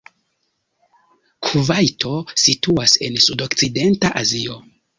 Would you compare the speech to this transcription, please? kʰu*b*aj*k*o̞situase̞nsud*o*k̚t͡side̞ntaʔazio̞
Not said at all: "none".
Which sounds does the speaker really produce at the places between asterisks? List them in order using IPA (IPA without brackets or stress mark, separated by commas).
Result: v, t, o